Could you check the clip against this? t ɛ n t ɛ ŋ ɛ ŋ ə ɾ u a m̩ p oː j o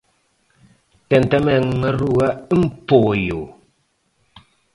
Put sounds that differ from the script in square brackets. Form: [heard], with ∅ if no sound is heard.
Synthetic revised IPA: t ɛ n t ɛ [m] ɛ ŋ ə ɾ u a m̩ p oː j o